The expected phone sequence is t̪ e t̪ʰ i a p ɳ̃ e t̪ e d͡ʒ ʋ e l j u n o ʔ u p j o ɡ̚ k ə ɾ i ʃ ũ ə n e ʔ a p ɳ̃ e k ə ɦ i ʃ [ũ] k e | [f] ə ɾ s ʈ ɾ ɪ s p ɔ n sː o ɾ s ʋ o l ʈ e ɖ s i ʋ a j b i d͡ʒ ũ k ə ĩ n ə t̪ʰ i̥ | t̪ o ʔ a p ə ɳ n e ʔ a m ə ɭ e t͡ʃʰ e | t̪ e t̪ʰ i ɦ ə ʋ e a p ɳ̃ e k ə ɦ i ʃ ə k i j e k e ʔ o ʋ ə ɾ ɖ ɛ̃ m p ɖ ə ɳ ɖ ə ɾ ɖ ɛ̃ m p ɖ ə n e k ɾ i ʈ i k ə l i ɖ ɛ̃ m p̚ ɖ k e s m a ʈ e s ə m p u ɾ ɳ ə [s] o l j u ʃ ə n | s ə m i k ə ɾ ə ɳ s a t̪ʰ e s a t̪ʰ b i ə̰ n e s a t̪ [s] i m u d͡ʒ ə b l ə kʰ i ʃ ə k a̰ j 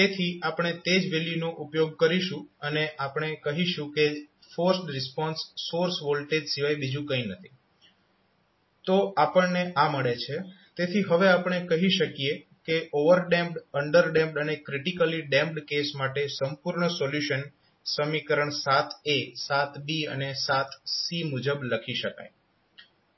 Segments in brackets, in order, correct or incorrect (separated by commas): correct, correct, correct, correct